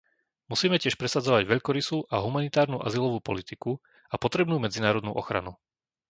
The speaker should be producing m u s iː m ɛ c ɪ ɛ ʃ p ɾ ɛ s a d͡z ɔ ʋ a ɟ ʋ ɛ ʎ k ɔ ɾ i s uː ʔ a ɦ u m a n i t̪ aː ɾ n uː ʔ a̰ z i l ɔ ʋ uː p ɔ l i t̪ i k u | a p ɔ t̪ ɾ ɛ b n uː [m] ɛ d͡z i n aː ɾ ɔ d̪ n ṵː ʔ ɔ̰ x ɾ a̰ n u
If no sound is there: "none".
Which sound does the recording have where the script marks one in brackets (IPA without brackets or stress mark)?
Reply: m